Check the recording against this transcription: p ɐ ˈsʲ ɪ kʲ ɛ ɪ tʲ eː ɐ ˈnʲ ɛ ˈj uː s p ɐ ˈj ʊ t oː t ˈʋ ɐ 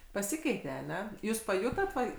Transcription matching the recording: p ɐ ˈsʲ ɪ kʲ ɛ ɪ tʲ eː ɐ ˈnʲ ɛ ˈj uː s p ɐ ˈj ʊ t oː t ˈʋ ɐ